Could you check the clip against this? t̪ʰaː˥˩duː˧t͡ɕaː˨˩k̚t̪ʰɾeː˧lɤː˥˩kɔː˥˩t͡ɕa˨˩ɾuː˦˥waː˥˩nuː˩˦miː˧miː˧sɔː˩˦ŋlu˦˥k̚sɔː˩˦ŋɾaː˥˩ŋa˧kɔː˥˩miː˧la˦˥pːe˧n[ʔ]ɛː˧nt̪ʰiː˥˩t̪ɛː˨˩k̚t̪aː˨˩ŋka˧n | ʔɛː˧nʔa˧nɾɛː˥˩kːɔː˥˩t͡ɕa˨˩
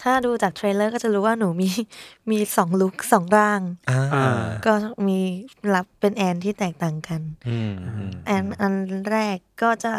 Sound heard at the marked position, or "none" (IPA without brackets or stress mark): ʔ